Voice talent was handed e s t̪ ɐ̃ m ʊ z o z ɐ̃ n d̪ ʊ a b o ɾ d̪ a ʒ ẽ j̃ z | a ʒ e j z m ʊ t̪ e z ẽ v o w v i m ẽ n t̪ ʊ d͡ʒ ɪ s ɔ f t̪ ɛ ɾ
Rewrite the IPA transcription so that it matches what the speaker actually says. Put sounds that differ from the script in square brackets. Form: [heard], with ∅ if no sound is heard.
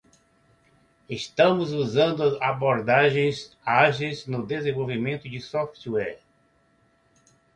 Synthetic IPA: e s t̪ ɐ̃ m ʊ z [u] z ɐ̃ n d̪ ʊ a b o ɾ d̪ a ʒ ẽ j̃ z | a ʒ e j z [n] ʊ [d̪] e z ẽ v o w v i m ẽ n t̪ ʊ d͡ʒ ɪ s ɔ f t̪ ɛ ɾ